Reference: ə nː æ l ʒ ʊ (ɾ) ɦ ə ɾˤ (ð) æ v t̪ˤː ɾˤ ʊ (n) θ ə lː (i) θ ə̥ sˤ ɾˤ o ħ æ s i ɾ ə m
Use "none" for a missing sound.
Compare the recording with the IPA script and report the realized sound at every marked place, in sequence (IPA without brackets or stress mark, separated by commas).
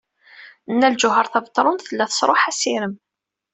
none, θ, n, æ